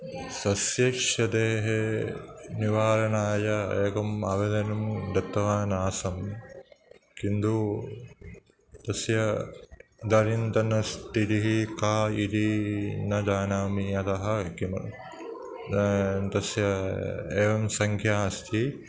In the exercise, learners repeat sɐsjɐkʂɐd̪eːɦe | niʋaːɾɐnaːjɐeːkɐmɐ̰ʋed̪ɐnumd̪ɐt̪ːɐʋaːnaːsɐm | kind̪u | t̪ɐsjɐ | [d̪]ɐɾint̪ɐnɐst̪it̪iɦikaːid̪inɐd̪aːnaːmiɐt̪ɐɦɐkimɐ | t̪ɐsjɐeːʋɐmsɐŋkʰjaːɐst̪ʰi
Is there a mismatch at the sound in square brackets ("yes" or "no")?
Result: no